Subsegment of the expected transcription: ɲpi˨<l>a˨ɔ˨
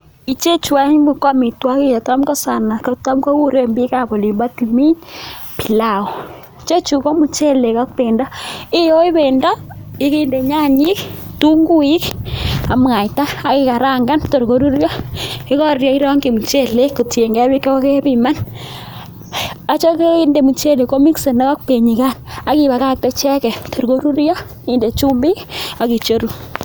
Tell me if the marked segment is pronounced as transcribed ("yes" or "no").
yes